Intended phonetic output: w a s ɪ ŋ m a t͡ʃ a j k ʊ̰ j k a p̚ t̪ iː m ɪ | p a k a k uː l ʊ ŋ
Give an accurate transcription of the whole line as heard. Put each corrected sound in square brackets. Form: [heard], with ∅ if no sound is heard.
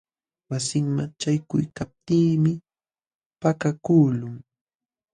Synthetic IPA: w a s ɪ ŋ m a t͡ʃ a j k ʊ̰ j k a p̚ t̪ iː m ɪ | p a k a k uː l ʊ ŋ